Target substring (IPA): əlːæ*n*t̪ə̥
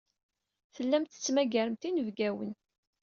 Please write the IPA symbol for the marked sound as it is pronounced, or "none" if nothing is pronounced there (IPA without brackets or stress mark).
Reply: m